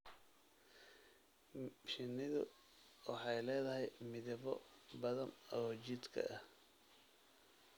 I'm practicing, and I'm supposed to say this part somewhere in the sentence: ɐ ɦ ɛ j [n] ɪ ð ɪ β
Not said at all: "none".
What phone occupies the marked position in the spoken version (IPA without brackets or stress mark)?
m